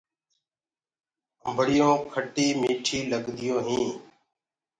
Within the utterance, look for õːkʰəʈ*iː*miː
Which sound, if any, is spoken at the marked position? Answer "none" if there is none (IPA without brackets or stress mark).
iː